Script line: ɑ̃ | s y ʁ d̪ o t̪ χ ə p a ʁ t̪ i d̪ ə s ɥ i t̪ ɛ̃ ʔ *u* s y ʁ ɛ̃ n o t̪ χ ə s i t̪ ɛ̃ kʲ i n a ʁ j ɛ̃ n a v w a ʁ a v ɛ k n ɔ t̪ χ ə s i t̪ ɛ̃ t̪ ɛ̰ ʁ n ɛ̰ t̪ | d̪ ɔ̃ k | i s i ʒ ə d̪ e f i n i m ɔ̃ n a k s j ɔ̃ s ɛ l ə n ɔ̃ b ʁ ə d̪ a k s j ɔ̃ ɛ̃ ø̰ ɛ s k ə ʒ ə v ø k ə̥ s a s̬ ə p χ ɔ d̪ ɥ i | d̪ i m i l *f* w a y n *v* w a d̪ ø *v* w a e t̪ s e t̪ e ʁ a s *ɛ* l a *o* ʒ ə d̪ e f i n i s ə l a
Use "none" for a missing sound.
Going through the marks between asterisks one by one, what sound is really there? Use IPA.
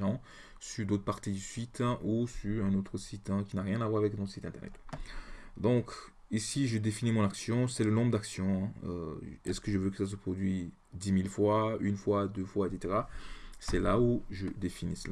u, f, f, f, ɛ, u

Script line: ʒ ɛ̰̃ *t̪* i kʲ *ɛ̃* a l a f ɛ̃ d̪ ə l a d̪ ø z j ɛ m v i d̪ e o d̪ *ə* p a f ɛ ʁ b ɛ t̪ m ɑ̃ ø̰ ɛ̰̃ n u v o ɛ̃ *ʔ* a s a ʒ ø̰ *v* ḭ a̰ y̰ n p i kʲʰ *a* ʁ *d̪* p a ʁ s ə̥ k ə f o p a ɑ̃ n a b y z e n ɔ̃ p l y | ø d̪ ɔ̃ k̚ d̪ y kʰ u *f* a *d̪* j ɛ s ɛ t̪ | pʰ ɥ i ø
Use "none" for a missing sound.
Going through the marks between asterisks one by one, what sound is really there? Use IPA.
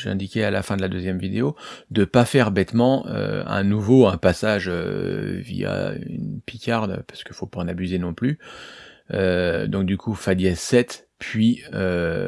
d̪, ɛ, ə, p, v, a, d̪, f, d̪

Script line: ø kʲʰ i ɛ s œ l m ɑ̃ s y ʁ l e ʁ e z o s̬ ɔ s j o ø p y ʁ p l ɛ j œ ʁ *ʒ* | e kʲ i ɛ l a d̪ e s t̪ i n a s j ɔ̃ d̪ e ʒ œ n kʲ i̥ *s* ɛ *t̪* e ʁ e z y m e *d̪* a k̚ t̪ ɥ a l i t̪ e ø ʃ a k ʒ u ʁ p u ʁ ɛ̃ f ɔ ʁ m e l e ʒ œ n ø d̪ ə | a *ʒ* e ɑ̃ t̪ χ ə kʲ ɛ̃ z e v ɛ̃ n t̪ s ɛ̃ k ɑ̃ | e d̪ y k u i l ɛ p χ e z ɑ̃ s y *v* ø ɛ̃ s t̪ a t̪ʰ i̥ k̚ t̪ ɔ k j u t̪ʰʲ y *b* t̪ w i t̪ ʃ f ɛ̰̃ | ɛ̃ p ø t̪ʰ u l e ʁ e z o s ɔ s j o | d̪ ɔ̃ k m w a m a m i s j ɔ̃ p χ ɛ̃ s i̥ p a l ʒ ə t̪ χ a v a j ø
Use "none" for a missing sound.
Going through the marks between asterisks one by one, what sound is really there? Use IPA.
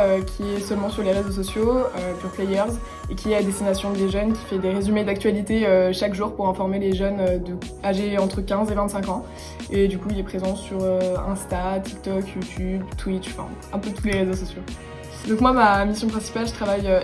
z, f, d̪, d̪, ʒ, ʁ, b

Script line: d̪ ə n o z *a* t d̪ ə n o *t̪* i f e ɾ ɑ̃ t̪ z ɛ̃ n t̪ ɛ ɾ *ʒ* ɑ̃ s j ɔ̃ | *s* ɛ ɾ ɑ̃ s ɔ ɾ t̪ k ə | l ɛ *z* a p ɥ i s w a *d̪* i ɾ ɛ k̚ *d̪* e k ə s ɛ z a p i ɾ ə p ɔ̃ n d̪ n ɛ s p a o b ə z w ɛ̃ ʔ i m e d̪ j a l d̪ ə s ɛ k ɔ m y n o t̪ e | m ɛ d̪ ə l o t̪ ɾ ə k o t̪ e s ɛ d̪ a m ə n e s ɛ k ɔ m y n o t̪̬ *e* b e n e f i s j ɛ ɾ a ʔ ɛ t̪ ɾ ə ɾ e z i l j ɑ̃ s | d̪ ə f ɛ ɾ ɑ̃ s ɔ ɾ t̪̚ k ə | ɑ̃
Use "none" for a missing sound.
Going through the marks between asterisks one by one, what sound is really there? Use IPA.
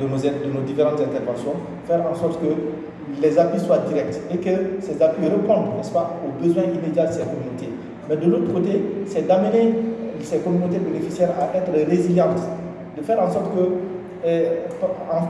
ɛ, d̪, v, f, z, d̪, t̪, e

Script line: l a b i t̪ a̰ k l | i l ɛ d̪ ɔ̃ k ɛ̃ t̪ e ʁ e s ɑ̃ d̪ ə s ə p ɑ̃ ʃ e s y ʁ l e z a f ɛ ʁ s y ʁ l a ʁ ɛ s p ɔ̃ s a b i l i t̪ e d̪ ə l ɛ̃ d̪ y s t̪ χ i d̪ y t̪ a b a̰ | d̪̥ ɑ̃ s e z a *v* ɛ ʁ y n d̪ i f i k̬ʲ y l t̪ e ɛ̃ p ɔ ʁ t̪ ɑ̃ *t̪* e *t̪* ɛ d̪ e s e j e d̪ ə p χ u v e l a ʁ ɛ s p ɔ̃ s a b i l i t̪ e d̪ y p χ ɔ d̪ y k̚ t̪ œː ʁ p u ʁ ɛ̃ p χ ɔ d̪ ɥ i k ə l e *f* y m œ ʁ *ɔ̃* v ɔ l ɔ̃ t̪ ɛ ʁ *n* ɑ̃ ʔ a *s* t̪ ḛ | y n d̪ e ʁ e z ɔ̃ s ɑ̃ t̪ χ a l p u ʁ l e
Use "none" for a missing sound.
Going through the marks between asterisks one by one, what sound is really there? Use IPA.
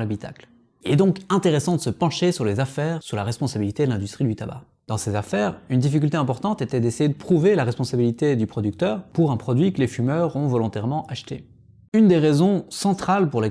f, t̪, t̪, f, ɔ̃, m, ʃ

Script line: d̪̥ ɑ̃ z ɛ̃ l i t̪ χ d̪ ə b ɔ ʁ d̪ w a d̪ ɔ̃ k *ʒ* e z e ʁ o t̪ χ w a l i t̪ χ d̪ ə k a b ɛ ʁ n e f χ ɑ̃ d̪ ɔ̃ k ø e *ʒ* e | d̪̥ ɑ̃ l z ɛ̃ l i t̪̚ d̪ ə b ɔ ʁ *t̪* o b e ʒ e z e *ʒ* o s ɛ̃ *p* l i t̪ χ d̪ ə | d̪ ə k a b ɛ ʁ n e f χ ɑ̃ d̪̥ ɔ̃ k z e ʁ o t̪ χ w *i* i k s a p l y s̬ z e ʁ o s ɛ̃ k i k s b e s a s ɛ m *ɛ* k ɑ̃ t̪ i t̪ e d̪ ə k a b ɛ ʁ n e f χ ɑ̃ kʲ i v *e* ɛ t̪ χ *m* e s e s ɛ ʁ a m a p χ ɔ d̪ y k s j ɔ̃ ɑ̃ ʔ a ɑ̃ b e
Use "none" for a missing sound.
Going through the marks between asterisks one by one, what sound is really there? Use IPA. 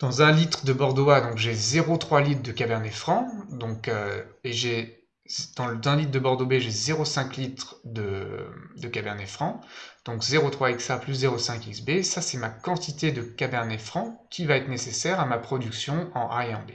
ʒ, ʒ, d̪, ʁ, k, a, a, a, n

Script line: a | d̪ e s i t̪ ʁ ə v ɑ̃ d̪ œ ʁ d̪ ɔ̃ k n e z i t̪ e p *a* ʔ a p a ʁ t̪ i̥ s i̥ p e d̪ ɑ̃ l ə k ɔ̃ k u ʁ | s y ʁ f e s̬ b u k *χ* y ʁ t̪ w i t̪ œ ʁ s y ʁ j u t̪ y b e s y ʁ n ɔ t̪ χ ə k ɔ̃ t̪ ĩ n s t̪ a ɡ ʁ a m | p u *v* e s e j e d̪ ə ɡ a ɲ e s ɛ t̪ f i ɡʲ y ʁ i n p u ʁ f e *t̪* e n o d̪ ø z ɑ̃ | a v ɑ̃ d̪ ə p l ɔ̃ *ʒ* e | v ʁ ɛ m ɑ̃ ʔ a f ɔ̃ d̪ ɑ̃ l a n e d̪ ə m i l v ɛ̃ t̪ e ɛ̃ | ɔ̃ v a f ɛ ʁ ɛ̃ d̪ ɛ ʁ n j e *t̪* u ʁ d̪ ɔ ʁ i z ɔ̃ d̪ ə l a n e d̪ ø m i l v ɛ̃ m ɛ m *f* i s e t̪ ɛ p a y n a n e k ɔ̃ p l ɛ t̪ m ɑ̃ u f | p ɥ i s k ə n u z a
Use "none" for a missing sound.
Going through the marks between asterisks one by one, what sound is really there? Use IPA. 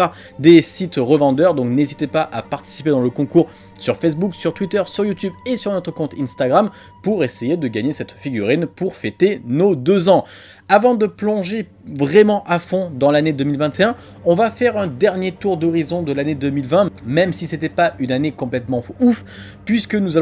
a, s, ʁ, t̪, ʒ, t̪, s

